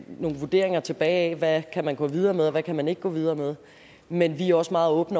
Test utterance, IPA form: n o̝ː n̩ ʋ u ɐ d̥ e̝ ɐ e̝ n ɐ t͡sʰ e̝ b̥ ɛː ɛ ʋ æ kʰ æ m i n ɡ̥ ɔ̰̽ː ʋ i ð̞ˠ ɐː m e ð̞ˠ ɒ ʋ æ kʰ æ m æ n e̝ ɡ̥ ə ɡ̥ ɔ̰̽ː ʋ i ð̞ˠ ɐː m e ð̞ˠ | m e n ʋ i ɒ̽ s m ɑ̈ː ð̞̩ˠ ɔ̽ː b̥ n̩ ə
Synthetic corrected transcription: n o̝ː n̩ ʋ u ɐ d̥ e̝ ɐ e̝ ŋ ɐ t͡sʰ e̝ b̥ ɛː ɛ ʋ æ kʰ æ m æ n ɡ̥ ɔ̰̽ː ʋ i ð̞ˠ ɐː m e ð̞ˠ ɒ ʋ æ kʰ æ m æ n e̝ ɡ̥ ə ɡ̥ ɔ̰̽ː ʋ i ð̞ˠ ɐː m e ð̞ˠ | m e n ʋ i ɒ̽ s m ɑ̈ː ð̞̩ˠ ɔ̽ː b̥ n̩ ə

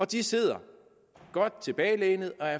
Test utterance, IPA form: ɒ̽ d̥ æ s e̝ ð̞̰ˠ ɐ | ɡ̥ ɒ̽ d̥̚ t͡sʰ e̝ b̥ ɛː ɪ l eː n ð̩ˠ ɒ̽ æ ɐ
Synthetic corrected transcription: ɒ̽ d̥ i s e̝ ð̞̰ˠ ɐ | ɡ̥ ɒ̽ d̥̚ t͡sʰ e̝ b̥ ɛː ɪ l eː n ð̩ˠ ɒ̽ æ ɐ

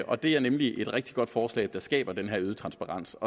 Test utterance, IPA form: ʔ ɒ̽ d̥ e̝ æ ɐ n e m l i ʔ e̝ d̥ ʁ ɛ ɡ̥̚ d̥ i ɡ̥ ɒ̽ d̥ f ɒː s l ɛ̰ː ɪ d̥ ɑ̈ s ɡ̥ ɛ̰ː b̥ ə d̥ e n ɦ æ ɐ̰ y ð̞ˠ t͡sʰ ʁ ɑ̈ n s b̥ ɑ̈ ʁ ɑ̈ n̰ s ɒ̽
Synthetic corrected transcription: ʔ ɒ̽ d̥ e̝ æ ɐ n e m l i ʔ e̝ d̥ ʁ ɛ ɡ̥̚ d̥ i ɡ̥ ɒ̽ d̥ f ɒː s l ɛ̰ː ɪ d̥ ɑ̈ s ɡ̥ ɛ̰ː b̥ ɐ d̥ e n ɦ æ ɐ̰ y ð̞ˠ t͡sʰ ʁ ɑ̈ n s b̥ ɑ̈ ʁ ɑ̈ n̰ s ɒ̽

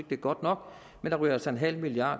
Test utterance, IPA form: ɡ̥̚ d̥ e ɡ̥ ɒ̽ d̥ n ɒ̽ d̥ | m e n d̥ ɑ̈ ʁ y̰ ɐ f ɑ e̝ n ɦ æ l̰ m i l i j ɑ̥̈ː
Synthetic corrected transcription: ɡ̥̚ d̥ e ɡ̥ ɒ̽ d̥ n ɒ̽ ɡ̥ | m e n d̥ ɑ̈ ʁ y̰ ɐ s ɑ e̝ n ɦ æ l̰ m i l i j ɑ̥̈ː

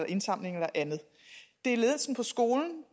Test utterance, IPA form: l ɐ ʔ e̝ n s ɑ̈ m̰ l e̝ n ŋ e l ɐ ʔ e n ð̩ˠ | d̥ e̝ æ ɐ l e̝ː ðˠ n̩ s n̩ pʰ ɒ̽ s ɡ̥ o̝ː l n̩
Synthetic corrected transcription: l ɐ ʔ e̝ n s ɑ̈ m̰ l e̝ ŋ e l ɐ ʔ æ n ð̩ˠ | d̥ e̝ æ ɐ l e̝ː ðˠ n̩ s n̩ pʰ ɒ̽ s ɡ̥ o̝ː l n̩

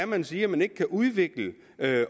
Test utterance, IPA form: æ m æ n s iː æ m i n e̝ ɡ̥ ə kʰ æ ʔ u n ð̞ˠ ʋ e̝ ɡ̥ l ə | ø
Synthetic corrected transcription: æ m æ n s iː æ m æ n e̝ ɡ̥ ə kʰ æ ʔ u ð̞ˠ ʋ e̝ ɡ̥ l ə | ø

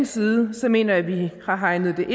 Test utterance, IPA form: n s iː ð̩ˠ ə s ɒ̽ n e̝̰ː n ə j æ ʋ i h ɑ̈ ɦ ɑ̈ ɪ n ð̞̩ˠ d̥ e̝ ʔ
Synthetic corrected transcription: n s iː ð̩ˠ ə s ɒ̽ m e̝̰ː n ɐ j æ ʋ i h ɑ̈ ɦ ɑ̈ ɪ n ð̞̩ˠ d̥ e̝ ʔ

